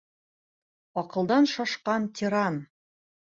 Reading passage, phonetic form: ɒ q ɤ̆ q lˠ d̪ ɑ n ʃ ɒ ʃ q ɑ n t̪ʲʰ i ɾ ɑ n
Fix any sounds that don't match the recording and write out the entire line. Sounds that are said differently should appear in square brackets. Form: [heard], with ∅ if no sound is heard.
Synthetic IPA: ɒ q ɤ̆ [∅] lˠ d̪ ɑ n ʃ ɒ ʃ q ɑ n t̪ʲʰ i ɾ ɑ n